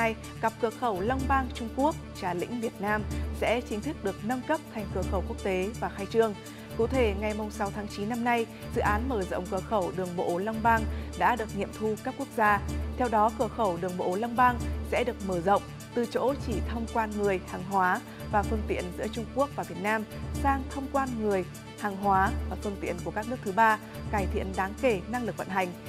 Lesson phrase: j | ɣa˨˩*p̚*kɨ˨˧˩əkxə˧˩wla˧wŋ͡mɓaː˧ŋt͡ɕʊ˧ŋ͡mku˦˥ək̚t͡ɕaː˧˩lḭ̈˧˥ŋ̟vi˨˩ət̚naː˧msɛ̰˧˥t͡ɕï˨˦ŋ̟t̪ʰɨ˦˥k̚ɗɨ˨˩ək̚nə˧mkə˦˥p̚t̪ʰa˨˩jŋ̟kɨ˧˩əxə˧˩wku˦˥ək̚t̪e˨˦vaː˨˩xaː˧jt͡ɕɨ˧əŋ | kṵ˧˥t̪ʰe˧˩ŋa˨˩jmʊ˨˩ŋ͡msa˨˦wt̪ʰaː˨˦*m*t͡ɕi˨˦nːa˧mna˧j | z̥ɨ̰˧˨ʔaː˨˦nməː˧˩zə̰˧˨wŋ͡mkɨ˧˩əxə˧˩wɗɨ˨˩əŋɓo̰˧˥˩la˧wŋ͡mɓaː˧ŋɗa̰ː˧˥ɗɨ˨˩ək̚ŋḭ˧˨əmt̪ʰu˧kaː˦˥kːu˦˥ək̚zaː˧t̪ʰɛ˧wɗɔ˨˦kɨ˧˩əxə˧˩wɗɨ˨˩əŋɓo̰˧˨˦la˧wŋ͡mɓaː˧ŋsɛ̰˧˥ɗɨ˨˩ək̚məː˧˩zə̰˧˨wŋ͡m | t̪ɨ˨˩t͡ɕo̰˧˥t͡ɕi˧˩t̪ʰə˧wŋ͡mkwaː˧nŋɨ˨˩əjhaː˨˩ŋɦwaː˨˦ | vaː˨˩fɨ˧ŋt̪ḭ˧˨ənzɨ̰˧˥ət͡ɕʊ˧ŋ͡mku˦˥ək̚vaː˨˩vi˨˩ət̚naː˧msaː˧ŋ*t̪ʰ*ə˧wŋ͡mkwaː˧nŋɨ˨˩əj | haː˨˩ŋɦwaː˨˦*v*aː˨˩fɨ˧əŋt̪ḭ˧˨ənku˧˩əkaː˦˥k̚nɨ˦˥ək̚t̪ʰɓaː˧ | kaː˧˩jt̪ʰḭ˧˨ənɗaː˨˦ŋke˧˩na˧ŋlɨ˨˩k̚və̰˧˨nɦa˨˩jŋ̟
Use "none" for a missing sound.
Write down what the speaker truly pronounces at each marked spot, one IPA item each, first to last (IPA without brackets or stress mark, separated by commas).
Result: p̚, ŋ, t̪ʰ, v